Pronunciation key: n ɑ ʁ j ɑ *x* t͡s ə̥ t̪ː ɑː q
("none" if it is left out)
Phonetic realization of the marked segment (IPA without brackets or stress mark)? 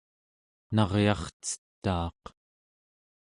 χ